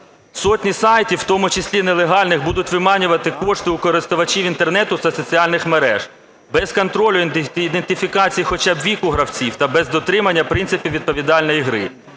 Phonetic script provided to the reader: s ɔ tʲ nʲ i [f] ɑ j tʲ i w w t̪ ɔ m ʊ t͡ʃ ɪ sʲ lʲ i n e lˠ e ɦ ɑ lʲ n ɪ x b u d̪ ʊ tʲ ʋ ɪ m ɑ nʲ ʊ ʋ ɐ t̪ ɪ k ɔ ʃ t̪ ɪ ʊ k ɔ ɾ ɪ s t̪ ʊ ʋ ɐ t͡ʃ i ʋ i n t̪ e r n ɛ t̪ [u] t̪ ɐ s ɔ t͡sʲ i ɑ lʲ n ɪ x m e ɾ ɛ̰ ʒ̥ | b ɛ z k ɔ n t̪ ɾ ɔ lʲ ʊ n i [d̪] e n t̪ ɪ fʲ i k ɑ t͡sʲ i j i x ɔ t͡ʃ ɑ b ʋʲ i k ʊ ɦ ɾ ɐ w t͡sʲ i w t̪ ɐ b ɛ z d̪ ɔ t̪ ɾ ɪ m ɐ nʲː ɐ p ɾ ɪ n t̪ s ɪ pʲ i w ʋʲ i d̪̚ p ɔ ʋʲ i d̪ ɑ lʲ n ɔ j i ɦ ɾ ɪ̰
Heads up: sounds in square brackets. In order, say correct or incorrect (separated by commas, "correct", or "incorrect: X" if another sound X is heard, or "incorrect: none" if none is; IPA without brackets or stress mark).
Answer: incorrect: s, incorrect: ʊ, correct